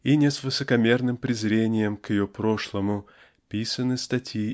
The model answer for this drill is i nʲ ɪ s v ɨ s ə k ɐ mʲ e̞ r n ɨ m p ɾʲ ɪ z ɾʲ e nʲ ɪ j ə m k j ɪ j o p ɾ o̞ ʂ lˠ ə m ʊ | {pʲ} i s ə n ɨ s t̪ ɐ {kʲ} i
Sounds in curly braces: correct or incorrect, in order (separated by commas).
correct, incorrect